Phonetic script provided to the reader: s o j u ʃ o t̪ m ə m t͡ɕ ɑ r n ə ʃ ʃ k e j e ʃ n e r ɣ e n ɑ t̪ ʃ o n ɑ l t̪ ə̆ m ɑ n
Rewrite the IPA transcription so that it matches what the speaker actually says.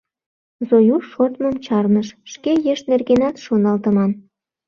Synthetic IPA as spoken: z o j u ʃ o t̪ m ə m t͡ɕ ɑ r n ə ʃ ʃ k e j e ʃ n e r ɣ e n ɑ t̪ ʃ o n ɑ l t̪ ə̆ m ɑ n